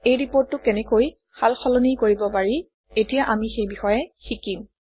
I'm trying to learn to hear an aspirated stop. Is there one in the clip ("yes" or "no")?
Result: no